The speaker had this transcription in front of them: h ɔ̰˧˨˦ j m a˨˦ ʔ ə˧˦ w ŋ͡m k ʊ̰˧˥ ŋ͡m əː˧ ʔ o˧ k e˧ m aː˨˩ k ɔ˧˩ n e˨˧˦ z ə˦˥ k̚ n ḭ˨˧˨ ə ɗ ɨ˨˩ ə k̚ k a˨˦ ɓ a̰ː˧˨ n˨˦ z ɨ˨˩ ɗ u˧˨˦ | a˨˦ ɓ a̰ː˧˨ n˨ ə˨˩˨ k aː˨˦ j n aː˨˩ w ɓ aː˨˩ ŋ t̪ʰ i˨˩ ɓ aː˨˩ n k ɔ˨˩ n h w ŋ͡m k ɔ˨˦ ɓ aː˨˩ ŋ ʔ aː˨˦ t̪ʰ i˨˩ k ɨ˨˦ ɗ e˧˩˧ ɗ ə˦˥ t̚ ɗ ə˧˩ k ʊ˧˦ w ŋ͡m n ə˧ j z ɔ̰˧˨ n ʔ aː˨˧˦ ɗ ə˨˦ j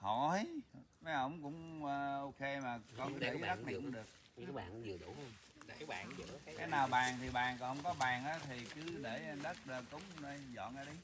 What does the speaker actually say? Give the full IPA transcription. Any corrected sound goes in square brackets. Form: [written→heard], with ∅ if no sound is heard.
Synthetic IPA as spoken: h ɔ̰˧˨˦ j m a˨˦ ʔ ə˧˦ w ŋ͡m k ʊ̰˧˥ ŋ͡m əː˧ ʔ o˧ k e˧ m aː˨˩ k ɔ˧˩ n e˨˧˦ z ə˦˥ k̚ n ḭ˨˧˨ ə ɗ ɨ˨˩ ə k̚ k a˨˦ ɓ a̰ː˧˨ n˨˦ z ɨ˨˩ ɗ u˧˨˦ | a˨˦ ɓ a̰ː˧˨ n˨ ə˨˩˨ k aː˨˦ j n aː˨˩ w ɓ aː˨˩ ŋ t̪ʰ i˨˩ ɓ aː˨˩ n k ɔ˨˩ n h w ŋ͡m k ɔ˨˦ ɓ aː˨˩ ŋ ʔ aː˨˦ t̪ʰ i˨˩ k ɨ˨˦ ɗ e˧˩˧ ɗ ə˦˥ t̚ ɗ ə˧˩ k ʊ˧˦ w ŋ͡m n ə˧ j z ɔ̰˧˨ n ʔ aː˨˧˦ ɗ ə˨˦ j

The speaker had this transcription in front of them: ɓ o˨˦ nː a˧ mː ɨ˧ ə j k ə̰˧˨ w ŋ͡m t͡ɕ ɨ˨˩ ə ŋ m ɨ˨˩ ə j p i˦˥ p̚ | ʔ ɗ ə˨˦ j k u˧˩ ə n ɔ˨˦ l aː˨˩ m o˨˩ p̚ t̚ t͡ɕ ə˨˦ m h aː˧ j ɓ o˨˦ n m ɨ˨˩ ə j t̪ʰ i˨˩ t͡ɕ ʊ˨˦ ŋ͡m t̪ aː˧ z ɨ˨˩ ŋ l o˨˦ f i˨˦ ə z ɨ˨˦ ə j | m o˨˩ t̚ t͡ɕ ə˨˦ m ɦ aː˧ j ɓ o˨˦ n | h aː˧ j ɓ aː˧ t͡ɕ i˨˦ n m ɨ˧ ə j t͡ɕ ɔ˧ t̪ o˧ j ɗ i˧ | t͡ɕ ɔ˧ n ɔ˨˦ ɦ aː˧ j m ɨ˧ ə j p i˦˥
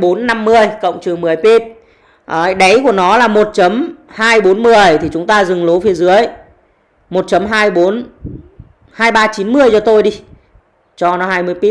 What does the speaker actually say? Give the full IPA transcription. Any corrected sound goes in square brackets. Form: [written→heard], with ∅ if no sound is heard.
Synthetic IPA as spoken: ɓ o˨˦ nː a˧ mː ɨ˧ ə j k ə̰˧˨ w ŋ͡m t͡ɕ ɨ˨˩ ə ŋ m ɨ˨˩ ə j p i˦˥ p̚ | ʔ ɗ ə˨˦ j k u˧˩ ə n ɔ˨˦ l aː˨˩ m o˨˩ [p̚→∅] t̚ t͡ɕ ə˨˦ m h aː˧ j ɓ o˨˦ n m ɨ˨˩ ə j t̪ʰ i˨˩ t͡ɕ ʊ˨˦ ŋ͡m t̪ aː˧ z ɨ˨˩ ŋ l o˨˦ f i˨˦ ə z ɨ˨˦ ə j | m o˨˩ t̚ t͡ɕ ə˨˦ m ɦ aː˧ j ɓ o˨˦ n | h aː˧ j ɓ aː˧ t͡ɕ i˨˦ n m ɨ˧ ə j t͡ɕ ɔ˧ t̪ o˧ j ɗ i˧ | t͡ɕ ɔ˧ n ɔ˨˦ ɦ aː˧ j m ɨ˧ ə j p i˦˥

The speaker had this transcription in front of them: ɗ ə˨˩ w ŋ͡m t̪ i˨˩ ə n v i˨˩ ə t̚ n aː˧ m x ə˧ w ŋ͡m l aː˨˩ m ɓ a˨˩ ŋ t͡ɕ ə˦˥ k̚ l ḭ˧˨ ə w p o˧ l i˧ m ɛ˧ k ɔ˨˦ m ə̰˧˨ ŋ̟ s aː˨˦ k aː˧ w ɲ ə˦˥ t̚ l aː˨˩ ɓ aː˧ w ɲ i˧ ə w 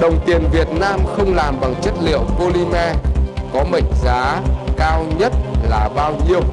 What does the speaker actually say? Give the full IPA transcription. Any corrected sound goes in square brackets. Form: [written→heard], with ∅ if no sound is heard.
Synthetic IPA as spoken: ɗ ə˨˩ w ŋ͡m t̪ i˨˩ ə n v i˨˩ ə t̚ n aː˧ m x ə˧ w ŋ͡m l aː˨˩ m ɓ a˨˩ ŋ t͡ɕ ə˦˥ [k̚→t̚] l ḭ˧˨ ə w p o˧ l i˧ m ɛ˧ k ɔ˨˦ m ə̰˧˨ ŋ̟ [s→z] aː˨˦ k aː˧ w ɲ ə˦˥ t̚ l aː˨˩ ɓ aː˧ w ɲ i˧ ə w

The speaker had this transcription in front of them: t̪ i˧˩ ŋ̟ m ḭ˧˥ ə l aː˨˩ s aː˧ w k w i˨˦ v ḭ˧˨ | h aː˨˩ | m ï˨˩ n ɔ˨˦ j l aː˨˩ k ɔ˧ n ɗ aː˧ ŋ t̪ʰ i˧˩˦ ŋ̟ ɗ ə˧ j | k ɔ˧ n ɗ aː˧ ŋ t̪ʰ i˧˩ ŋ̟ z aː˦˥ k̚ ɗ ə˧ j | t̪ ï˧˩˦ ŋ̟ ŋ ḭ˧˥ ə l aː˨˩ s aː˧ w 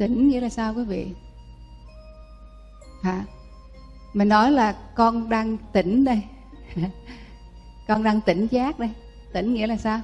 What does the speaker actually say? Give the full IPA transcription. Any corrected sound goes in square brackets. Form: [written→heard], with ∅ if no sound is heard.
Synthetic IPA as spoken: t̪ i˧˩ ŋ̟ [m→ŋ] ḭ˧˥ ə l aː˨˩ s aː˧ w k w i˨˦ v ḭ˧˨ | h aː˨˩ | m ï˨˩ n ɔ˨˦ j l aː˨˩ k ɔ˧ n ɗ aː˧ ŋ [t̪ʰ→t̪] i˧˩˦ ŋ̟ ɗ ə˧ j | k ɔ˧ n ɗ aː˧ ŋ [t̪ʰ→t̪] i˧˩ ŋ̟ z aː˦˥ k̚ ɗ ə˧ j | t̪ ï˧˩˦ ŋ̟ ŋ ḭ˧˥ ə l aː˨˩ s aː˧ w

